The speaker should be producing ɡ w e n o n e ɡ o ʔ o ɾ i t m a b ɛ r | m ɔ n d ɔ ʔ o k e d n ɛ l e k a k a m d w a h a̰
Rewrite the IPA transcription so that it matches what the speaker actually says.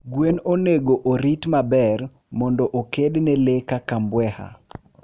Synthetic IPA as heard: ɡ w e n o n e ɡ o ʔ o ɾ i t m a b ɛ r | m ɔ n d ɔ ʔ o k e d n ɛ l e k a k a m b w ɛ h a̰